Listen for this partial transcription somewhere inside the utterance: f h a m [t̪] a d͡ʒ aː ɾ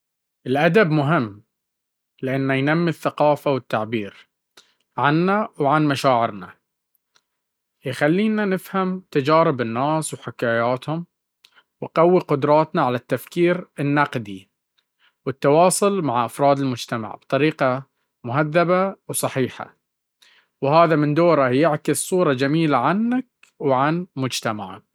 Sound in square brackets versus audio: correct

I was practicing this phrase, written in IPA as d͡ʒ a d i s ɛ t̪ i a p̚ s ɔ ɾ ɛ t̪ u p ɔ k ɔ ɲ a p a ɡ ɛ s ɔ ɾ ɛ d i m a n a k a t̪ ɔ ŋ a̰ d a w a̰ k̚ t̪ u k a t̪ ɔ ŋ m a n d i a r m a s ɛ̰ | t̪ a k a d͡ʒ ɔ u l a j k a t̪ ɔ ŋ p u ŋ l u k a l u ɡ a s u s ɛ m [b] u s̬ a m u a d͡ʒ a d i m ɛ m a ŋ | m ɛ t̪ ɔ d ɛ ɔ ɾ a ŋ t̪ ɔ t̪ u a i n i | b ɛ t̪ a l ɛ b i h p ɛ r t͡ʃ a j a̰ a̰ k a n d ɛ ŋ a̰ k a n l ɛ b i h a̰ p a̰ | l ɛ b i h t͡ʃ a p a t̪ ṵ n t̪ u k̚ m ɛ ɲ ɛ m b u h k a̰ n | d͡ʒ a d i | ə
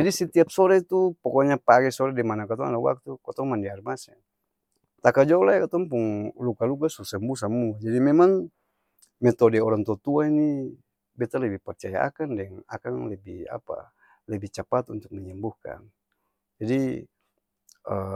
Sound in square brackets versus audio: correct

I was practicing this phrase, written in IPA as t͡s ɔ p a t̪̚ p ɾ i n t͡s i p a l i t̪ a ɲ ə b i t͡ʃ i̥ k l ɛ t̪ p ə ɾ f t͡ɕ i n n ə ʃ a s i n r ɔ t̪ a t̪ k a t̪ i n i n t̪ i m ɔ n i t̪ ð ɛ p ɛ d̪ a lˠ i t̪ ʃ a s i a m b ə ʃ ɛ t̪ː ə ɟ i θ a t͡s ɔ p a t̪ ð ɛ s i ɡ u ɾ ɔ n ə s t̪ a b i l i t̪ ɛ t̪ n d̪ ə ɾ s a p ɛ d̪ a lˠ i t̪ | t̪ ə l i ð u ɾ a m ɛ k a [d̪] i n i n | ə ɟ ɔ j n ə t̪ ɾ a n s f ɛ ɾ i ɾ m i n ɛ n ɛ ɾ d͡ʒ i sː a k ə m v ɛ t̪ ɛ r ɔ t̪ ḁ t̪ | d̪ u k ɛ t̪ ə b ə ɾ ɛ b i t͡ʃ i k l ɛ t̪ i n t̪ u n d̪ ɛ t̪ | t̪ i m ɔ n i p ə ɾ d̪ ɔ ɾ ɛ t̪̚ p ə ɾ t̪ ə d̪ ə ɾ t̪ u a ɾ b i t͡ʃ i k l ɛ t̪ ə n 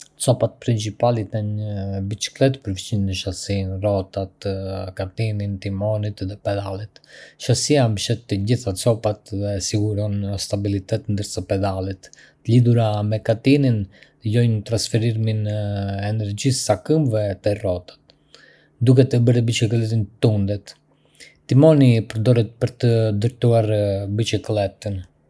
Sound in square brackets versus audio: incorrect: t̪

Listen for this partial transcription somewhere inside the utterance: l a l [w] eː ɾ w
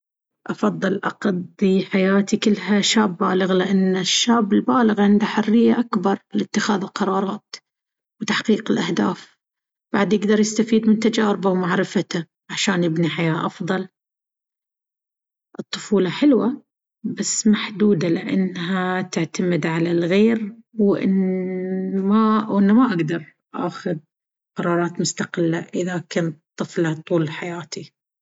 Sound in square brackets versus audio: incorrect: ɣ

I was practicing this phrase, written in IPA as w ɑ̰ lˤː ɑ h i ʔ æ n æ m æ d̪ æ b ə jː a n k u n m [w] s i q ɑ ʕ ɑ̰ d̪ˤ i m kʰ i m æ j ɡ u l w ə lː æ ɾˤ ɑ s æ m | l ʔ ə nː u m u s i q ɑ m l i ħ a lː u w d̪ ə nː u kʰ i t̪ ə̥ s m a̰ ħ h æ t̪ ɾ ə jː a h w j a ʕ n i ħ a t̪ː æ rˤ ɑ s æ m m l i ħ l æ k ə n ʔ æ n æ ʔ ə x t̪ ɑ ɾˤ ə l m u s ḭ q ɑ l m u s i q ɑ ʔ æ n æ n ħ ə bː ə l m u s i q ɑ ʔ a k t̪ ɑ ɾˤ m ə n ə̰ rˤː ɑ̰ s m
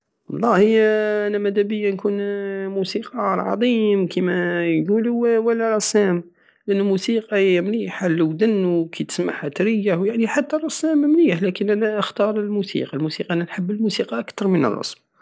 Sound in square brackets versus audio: incorrect: u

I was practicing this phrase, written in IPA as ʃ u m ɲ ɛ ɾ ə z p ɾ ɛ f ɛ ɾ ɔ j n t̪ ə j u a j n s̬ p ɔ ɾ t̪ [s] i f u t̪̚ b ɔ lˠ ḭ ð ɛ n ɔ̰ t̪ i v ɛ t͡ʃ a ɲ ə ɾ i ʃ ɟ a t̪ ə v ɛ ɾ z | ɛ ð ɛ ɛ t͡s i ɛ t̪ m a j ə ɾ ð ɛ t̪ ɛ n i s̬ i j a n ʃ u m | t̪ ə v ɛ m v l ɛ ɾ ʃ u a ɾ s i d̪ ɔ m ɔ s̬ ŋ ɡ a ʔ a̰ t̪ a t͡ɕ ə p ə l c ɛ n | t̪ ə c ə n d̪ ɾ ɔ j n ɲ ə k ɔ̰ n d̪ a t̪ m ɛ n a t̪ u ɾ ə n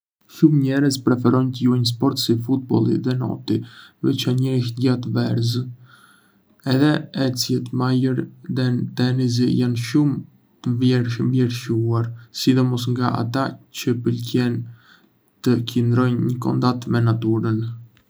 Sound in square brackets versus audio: correct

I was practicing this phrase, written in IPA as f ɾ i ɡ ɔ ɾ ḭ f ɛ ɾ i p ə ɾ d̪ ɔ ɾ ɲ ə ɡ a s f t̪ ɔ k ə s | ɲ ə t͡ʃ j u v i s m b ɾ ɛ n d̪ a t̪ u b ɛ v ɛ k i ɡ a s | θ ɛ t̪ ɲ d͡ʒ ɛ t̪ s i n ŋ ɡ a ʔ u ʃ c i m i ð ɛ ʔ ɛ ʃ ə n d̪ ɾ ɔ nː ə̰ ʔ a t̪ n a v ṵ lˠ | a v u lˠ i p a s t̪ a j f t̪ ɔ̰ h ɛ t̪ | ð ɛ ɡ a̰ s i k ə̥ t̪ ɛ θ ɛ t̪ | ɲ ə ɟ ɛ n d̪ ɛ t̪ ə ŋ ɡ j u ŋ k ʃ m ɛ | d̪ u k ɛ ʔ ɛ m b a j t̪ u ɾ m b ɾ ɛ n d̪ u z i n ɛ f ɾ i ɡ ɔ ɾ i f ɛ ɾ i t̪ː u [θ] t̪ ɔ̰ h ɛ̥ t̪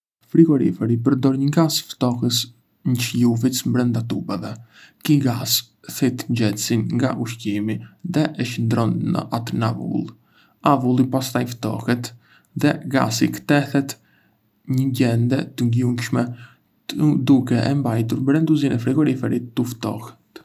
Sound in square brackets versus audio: incorrect: f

